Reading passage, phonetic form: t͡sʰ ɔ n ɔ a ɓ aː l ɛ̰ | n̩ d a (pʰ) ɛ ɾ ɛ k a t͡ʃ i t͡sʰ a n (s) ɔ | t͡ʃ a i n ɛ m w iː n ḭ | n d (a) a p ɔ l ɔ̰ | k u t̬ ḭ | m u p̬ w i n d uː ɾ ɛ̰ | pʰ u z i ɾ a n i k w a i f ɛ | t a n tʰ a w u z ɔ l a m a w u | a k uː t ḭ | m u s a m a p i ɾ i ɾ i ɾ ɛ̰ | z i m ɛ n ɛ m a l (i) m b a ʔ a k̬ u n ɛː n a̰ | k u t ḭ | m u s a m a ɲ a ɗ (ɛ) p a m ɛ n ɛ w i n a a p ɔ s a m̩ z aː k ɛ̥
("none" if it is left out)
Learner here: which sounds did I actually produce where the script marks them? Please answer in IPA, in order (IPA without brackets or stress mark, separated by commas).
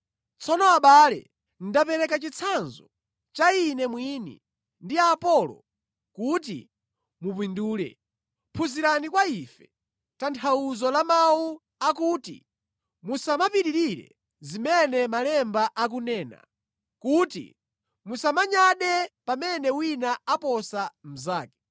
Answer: p, z, i, ɛ, ɛ